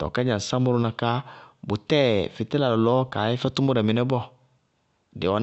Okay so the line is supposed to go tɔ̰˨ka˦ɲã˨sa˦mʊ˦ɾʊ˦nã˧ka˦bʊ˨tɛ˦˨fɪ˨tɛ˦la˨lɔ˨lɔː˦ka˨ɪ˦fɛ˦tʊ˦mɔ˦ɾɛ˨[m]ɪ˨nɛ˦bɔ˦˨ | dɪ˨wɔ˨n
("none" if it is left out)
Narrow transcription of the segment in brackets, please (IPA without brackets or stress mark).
m